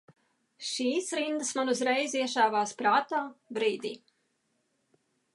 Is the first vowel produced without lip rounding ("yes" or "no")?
yes